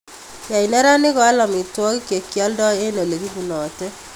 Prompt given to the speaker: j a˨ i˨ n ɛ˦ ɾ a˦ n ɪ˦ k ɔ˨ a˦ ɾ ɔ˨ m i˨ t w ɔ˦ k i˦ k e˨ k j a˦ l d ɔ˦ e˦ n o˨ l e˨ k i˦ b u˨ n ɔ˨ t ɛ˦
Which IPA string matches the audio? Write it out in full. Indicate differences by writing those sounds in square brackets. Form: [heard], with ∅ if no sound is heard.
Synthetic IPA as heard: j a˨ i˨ n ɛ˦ ɾ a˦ n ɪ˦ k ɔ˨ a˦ [l] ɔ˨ m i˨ t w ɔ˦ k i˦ k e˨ k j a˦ l d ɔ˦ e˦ n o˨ l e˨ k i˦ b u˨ n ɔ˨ t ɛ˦